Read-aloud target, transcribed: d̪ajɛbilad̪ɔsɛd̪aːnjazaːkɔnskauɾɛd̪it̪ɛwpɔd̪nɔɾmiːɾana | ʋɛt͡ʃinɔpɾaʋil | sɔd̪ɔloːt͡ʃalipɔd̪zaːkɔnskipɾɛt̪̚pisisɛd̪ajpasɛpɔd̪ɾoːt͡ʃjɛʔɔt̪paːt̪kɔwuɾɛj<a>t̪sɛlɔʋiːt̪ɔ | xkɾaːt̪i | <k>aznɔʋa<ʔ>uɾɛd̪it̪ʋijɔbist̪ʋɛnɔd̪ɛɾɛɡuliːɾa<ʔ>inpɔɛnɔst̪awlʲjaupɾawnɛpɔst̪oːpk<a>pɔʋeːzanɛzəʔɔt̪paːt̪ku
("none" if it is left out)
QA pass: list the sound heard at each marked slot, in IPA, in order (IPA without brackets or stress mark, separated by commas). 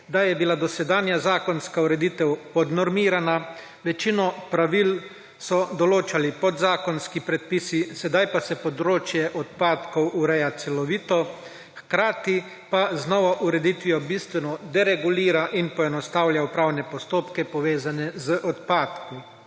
a, p, ʔ, ʔ, ɛ